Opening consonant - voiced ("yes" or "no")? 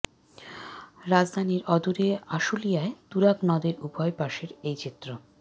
yes